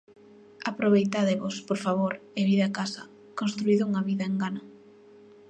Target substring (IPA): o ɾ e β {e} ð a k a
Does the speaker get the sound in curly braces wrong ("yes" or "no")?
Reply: yes